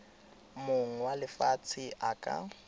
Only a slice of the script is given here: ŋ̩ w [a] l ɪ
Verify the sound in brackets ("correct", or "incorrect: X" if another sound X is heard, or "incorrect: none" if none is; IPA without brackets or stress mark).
correct